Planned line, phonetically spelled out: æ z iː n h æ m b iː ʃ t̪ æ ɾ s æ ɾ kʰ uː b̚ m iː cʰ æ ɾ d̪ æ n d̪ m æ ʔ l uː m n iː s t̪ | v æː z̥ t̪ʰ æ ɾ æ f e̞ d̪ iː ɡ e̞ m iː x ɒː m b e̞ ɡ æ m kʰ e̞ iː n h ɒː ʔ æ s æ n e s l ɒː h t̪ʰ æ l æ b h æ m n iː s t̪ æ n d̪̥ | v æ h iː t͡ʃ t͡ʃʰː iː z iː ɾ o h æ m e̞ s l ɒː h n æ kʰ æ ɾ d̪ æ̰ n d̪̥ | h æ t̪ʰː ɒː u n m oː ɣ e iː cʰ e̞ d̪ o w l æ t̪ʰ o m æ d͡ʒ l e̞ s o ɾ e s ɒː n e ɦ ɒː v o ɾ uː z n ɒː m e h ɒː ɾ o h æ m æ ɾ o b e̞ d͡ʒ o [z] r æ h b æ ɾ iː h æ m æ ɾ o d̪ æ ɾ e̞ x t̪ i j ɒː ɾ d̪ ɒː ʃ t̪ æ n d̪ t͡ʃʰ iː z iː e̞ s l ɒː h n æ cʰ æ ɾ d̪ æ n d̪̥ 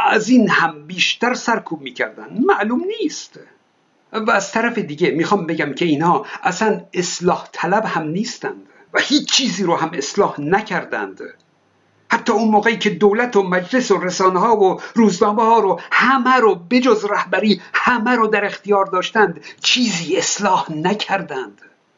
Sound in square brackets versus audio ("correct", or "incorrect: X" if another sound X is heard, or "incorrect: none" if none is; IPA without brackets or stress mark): correct